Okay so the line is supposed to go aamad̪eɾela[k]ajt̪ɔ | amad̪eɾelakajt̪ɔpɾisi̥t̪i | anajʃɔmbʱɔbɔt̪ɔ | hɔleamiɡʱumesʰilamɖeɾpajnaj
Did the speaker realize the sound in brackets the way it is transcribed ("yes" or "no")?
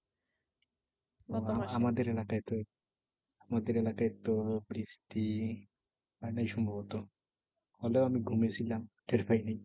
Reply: yes